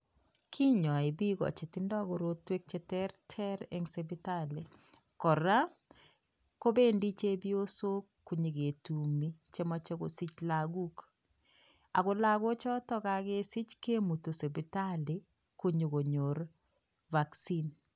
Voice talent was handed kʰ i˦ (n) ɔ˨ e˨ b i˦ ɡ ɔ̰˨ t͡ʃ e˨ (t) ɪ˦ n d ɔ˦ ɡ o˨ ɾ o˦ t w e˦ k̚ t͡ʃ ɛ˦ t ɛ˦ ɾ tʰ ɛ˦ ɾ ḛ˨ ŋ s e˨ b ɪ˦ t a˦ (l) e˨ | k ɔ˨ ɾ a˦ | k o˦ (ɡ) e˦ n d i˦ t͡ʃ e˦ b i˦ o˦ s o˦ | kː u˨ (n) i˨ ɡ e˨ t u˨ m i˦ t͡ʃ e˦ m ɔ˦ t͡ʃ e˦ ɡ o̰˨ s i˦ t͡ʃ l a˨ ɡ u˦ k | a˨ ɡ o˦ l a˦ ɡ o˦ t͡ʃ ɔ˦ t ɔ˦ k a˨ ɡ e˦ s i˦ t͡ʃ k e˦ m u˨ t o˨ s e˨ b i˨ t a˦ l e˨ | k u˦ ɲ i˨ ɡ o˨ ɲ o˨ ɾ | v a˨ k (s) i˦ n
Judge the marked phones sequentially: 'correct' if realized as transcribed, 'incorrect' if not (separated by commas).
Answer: incorrect, correct, correct, incorrect, incorrect, correct